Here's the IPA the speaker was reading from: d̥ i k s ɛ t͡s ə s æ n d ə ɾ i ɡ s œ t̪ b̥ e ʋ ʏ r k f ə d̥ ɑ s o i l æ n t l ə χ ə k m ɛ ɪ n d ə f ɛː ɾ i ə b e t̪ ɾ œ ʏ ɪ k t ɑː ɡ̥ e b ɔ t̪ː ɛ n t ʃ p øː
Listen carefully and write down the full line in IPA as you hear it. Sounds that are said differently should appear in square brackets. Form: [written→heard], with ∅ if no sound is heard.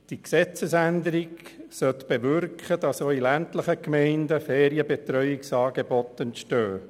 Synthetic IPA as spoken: d̥ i k s ɛ t͡s ə s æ n d ə ɾ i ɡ s œ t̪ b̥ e ʋ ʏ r k [f→χ] ə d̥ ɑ s o i l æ n t l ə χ ə k m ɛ ɪ n d ə f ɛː ɾ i ə b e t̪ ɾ œ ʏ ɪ k [t→s] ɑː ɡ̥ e b ɔ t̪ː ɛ n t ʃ [p→t] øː